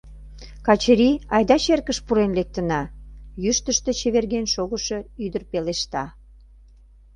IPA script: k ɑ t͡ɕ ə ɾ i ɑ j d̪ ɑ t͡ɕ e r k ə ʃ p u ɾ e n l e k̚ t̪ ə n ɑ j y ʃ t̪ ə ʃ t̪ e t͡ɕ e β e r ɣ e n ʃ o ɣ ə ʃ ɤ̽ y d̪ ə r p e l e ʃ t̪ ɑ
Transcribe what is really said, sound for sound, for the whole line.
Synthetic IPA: k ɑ t͡ɕ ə ɾ i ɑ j d̪ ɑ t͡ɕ e r k ə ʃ p u ɾ e n l e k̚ t̪ ə n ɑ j y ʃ t̪ ə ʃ t̪ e t͡ɕ e β e r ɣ e n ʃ o ɣ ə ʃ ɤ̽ y d̪ ə r p e l e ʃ t̪ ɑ